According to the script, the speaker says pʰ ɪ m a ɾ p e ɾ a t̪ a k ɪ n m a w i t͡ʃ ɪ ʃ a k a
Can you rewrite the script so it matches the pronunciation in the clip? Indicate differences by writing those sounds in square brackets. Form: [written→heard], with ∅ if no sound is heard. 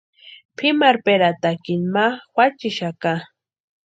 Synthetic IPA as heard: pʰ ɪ m a ɾ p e ɾ a t̪ a k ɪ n m a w [i→a] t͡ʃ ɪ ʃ a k a